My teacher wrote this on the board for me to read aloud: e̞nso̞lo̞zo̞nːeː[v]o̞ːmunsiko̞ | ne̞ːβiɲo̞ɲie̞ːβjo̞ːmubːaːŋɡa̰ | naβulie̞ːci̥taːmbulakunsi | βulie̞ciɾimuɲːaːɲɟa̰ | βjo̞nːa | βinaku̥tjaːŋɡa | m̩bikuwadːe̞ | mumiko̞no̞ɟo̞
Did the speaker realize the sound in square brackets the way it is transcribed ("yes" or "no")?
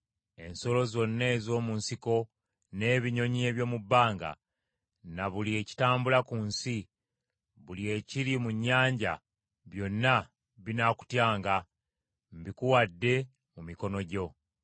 no